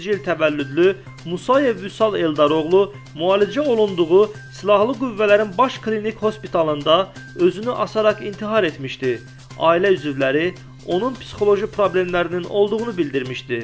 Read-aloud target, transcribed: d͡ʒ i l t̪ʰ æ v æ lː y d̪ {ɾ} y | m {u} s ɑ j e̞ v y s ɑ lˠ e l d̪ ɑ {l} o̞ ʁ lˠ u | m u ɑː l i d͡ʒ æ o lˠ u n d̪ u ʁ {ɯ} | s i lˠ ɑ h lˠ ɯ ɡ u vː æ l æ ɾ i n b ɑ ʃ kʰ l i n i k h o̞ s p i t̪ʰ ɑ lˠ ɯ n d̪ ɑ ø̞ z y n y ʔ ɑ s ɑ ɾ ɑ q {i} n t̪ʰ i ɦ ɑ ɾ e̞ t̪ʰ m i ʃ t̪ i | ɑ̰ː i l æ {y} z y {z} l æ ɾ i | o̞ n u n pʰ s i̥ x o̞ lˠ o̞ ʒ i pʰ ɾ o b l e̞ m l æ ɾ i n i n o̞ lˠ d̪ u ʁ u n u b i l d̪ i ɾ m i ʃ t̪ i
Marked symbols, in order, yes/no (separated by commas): no, yes, no, no, yes, yes, no